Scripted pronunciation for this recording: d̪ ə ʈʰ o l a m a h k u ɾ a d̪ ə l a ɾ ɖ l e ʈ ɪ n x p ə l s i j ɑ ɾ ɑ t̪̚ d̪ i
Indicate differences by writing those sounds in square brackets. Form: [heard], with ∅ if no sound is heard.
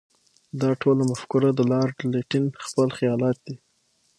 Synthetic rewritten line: d̪ [ɑ] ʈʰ o l a m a [f] k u ɾ a d̪ ə l [ɑ] ɾ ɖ l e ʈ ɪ n x p ə l [x] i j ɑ [l] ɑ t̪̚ d̪ i